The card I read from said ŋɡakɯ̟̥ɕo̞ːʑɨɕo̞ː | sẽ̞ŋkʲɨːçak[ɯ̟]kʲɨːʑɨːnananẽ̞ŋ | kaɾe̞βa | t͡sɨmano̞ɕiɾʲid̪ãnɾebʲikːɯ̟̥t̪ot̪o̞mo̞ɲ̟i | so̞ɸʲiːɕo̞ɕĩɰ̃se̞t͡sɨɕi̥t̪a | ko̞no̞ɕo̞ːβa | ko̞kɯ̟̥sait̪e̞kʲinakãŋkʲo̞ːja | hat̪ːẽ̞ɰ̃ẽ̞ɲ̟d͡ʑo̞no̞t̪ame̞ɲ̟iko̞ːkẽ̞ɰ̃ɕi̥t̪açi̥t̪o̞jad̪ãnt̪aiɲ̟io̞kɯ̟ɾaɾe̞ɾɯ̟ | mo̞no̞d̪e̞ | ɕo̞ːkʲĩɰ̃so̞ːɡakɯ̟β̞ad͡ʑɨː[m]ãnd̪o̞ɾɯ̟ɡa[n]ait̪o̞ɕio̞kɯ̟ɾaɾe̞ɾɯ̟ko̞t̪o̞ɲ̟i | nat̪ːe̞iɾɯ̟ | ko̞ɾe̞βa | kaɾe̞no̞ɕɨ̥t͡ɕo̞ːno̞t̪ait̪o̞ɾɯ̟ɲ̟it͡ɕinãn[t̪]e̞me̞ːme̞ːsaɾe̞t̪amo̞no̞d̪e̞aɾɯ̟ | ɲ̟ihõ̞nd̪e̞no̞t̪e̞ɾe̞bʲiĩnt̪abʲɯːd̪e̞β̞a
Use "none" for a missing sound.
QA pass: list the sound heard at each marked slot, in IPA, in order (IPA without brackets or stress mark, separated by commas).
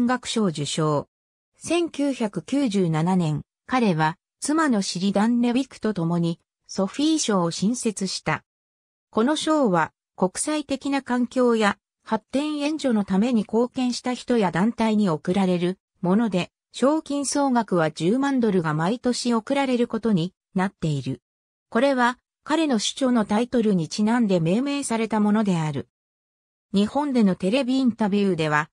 ɯ̟, m, m, d̪